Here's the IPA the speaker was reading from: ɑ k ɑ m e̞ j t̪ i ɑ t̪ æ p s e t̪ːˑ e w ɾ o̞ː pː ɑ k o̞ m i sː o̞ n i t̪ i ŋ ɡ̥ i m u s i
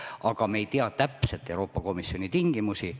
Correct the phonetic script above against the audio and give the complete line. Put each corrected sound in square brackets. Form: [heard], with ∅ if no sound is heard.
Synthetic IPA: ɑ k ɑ m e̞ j t̪ i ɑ t̪ æ p s e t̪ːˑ e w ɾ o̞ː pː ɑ k o̞ m i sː o̞ n i t̪ i ŋ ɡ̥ i m u s i